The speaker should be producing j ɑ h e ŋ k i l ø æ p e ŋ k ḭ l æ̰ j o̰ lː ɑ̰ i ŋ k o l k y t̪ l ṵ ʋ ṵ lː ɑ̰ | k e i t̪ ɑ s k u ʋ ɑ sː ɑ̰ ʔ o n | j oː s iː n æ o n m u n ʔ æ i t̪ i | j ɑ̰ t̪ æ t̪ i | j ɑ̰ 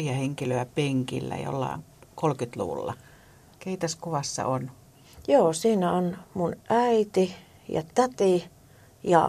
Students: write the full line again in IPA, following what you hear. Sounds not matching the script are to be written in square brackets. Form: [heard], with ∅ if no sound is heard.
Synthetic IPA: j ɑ h e ŋ k i l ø æ p e ŋ k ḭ [lː] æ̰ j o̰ lː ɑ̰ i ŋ k o l k y t̪ l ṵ ʋ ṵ lː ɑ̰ | k e i t̪ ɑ s k u ʋ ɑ sː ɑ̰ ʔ o n | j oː s iː n æ o n m u n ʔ æ i t̪ i | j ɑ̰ t̪ æ t̪ i | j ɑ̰